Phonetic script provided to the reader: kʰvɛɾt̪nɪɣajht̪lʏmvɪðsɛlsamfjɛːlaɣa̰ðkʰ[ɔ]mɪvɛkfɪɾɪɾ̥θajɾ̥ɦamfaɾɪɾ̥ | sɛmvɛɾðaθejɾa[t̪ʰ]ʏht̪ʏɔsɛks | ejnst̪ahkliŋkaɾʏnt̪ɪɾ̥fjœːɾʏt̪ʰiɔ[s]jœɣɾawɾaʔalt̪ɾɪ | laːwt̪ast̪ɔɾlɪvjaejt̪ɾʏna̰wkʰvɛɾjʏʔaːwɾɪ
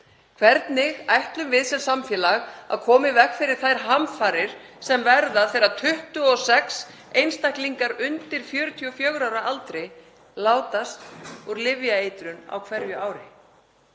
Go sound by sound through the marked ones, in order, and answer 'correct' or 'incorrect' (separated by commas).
incorrect, correct, incorrect